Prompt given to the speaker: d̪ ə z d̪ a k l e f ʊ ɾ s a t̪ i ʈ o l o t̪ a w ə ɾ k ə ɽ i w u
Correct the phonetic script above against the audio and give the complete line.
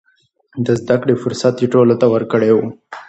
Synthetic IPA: d̪ ə z d̪ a k ɽ e f ʊ ɾ s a t̪ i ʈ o l o t̪ a w ə ɾ k ə ɽ e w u